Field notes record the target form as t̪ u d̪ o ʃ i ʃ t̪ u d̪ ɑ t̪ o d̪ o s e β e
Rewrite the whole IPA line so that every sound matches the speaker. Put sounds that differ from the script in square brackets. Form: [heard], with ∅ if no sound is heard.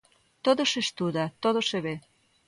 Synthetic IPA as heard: t̪ [o] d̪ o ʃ [e] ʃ t̪ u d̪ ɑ t̪ o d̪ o [ʃ] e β e